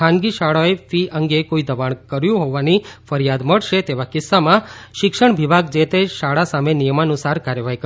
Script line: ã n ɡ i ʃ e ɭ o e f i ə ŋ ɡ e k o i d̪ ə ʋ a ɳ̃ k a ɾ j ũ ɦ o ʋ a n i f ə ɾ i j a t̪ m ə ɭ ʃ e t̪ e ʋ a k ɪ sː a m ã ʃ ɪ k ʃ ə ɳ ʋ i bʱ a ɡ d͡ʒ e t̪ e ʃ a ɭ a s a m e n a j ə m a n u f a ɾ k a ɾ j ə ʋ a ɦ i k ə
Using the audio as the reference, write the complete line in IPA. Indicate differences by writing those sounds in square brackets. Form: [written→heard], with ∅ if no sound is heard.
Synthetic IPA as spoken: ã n ɡ i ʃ [e→a] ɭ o e f i ə ŋ ɡ e k o i d̪ ə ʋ a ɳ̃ k [a→ə] ɾ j ũ ɦ o ʋ a n i f ə ɾ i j a [t̪→d̪] m ə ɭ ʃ e t̪ e ʋ a k ɪ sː a m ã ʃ ɪ k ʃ ə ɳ ʋ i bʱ a ɡ d͡ʒ e t̪ e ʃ a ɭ a s a m e n [a→i] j ə m a n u [f→s] a ɾ k a ɾ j ə ʋ a ɦ i k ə